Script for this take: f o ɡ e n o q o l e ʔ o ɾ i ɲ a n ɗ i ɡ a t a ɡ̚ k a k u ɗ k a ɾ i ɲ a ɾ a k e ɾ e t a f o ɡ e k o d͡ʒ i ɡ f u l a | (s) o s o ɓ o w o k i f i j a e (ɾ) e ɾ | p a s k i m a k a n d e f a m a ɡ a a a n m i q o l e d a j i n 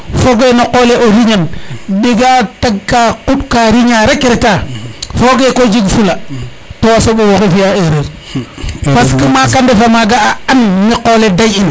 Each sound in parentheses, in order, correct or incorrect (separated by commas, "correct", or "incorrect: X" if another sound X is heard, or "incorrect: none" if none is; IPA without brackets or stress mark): incorrect: t, correct